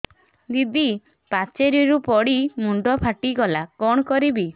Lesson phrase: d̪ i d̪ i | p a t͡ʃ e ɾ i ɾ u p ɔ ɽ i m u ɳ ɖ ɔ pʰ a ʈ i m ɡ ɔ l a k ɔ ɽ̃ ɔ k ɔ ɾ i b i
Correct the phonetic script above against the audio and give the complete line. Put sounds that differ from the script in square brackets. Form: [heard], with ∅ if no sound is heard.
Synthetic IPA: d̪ i d̪ i | p a t͡ʃ e ɾ i ɾ u p ɔ ɽ i m u ɳ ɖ ɔ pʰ a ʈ i [∅] ɡ ɔ l a k ɔ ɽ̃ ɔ k ɔ ɾ i b i